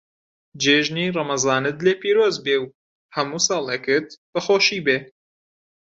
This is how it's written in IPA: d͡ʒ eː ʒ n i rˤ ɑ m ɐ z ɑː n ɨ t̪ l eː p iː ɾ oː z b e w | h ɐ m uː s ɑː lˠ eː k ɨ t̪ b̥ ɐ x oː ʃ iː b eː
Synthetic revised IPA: d͡ʒ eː ʒ n i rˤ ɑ m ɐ z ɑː n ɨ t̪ l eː p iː ɾ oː z b e w | h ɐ m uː s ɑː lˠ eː k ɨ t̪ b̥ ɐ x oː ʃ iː b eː

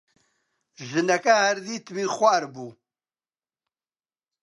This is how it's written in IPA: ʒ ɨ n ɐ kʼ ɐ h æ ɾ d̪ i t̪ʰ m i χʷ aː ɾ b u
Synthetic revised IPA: ʒ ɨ n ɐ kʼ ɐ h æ ɾ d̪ i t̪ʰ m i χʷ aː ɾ b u

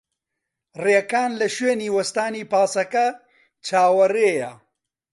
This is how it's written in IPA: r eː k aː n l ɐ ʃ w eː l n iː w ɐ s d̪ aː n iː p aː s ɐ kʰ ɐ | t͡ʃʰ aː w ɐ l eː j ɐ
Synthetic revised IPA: r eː k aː n l ɐ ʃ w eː n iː w ɐ s t̪ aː n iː p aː s ɐ k ɐ | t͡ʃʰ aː w ɐ r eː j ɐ

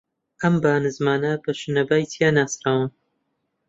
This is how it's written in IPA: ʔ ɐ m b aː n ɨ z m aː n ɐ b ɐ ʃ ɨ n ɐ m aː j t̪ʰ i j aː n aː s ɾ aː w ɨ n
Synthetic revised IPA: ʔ ɐ m b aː n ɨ z m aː n ɐ b ɐ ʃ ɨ n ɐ b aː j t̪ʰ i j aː n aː s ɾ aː w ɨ n

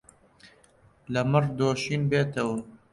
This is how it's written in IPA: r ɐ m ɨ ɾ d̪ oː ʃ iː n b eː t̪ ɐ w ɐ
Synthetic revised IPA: l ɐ m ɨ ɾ d̪ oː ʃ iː n b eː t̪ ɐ w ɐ

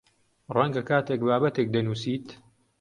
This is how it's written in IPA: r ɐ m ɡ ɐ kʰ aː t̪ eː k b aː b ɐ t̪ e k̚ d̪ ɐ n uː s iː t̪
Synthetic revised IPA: r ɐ ŋ ɡ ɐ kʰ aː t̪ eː k b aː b ɐ t̪ e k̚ d̪ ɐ n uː s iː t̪

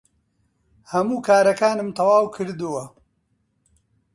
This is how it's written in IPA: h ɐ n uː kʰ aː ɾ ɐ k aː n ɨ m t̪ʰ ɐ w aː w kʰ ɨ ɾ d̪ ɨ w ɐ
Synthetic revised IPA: h ɐ m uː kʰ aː ɾ ɐ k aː n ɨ m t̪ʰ ɐ w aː w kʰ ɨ ɾ d̪ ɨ w ɐ

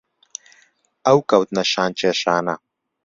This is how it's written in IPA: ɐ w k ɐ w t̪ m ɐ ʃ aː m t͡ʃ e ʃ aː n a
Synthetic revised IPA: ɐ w k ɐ w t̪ n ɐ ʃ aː n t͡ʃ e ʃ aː n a

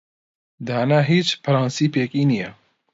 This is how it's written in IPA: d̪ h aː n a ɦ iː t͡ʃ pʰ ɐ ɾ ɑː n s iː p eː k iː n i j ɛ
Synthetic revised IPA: d̪ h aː n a ɦ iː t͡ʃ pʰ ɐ ɾ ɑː n s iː p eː k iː n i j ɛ

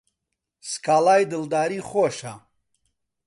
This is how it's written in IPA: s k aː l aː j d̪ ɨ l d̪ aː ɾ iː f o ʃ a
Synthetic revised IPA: s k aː l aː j d̪ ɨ l d̪ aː ɾ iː χ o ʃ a

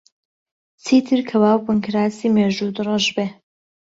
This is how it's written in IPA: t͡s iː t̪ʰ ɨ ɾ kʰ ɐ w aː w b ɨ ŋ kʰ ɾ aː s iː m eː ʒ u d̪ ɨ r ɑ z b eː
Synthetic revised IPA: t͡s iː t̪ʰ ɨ ɾ kʰ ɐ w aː w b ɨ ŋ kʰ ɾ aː s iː m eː ʒ u d̪ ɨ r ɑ ʒ b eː

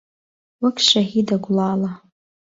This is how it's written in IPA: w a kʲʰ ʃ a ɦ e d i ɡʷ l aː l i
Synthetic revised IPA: w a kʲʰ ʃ a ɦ i d a ɡʷ l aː l a

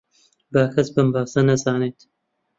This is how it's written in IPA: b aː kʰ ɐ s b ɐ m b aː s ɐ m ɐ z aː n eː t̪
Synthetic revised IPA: b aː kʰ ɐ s b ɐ m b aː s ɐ n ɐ z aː n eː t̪

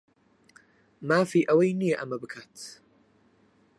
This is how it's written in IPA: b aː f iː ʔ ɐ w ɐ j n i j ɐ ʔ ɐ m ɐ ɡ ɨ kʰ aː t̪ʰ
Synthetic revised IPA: m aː f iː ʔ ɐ w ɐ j n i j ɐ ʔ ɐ m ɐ b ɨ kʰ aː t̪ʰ

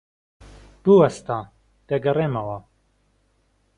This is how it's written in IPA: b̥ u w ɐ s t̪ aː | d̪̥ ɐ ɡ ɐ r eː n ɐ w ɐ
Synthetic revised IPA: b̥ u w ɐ s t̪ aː | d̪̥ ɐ ɡ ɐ r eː m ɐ w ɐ

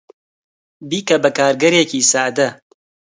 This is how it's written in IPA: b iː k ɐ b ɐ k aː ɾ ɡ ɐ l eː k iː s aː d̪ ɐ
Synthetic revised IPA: b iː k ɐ b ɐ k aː ɾ ɡ ɐ ɾ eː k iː s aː d̪ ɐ

